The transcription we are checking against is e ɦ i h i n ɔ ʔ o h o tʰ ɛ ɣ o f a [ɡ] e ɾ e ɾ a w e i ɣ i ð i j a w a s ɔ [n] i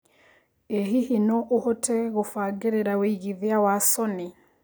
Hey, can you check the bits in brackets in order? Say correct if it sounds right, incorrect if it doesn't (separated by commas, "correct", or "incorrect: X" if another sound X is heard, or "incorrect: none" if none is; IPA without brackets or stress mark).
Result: correct, correct